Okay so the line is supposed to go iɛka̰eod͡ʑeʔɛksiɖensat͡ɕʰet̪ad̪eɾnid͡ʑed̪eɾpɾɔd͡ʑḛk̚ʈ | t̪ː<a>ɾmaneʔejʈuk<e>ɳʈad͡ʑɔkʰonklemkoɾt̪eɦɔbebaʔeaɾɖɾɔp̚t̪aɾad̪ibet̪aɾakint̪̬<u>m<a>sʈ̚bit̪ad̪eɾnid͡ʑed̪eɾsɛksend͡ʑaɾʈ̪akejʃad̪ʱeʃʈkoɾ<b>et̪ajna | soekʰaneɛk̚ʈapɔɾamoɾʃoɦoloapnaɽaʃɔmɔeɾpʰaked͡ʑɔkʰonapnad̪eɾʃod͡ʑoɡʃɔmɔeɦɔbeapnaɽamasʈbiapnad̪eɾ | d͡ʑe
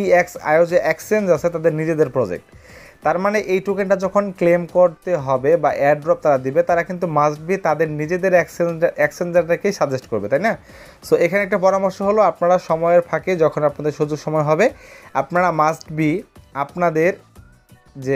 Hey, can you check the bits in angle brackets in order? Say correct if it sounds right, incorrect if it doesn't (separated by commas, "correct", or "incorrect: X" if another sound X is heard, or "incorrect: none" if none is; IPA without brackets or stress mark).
correct, correct, correct, correct, correct